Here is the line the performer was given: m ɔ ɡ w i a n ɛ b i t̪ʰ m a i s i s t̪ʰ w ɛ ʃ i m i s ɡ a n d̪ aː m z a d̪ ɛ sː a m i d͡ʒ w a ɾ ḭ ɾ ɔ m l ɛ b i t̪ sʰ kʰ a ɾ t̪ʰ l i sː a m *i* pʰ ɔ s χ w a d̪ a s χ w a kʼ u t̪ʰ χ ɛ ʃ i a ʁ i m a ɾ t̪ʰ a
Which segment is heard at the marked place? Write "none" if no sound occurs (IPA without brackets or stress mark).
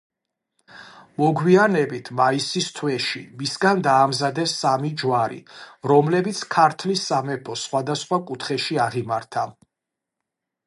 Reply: ɛ